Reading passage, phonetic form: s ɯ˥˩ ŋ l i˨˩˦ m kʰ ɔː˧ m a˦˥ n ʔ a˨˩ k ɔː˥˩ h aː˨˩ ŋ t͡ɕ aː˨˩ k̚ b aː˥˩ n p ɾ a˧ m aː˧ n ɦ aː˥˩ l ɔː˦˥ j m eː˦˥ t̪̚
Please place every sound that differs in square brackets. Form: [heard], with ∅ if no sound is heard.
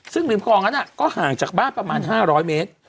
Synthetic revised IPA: s ɯ˥˩ ŋ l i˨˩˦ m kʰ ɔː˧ [ŋ] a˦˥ n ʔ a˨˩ k ɔː˥˩ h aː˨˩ ŋ t͡ɕ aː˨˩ k̚ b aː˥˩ n p ɾ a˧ m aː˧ n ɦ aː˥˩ [ɾ] ɔː˦˥ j m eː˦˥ t̪̚